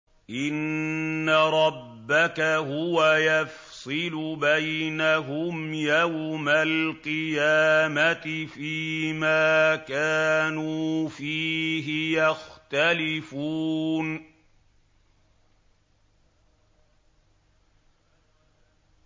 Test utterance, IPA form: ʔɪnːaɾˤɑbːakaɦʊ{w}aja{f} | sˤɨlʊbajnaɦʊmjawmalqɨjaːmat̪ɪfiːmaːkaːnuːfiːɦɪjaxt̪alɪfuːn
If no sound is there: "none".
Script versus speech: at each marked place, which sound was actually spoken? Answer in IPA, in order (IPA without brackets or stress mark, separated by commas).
w, f